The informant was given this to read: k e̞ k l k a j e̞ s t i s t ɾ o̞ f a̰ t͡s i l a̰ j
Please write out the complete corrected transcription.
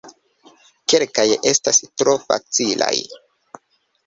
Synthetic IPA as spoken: k e̞ l k a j e̞ s t a s t ɾ o̞ f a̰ t͡s i l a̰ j